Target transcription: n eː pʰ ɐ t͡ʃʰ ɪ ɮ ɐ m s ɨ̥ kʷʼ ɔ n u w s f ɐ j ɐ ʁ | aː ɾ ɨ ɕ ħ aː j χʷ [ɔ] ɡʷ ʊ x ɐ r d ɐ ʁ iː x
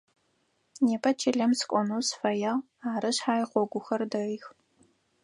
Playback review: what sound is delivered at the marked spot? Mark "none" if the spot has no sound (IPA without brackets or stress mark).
ɔ